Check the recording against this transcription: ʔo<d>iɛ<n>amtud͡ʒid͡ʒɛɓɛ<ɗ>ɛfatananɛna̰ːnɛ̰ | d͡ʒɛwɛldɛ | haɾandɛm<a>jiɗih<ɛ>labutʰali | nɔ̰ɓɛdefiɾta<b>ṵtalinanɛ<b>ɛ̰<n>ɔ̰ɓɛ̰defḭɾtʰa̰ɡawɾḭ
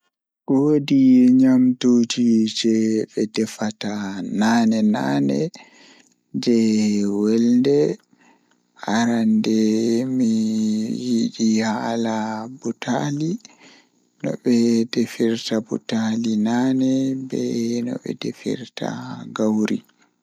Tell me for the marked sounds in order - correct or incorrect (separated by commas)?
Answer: correct, incorrect, incorrect, incorrect, incorrect, correct, correct, correct